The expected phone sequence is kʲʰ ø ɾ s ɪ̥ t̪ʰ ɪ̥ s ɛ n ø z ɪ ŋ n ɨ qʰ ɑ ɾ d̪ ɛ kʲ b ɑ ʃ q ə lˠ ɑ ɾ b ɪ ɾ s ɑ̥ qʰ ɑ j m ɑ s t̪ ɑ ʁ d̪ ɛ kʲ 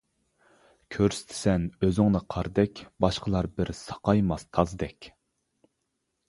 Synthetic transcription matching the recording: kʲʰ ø ɾ s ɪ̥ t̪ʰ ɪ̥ s ɛ n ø z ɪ ŋ n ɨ qʰ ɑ ɾ d̪ ɛ kʲ b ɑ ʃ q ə lˠ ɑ ɾ b ɪ ɾ s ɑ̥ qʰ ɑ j m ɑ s t̪ʰ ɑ z d̪ ɛ kʲ